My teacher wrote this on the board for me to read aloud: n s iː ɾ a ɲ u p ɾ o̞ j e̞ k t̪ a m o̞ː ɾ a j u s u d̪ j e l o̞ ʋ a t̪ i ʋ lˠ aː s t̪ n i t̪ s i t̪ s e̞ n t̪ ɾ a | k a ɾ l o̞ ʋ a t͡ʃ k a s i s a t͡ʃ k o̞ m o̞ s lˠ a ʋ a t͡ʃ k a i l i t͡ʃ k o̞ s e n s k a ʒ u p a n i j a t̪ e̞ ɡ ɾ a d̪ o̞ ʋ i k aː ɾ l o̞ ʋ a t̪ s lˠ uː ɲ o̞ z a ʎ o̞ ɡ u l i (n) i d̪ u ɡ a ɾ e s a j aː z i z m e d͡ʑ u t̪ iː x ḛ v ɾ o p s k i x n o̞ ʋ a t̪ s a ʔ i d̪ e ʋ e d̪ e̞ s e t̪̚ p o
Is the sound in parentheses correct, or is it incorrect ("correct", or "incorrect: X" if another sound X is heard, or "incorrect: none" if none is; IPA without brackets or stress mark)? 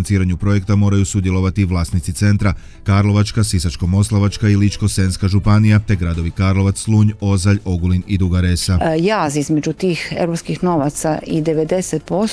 correct